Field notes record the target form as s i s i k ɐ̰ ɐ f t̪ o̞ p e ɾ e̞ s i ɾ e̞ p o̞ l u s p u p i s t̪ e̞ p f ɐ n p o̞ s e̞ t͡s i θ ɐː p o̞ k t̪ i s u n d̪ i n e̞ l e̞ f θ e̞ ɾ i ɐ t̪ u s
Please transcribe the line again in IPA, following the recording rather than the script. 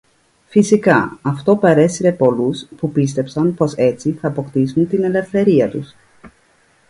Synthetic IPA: f i s i k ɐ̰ ɐ f t̪ o̞ p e ɾ e̞ s i ɾ e̞ p o̞ l u s p u p i s t̪ e̞ p s ɐ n p o̞ s e̞ t͡s i θ ɐː p o̞ k t̪ i s u n t̪ i n e̞ l e̞ f θ e̞ ɾ i ɐ t̪ u s